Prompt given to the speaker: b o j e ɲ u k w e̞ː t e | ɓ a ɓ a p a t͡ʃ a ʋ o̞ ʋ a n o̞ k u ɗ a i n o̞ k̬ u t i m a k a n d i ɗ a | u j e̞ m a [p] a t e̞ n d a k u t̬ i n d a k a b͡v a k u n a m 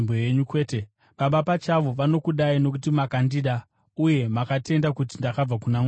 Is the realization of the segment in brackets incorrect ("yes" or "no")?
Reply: yes